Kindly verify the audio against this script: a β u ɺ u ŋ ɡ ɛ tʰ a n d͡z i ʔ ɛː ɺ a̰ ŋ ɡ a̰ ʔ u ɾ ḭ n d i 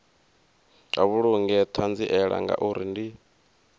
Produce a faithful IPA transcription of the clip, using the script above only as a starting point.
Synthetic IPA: a β u ɺ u ŋ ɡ ɛ tʰ a n d͡z i ʔ ɛ ɺ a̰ ŋ ɡ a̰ ʔ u ɾ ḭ n d i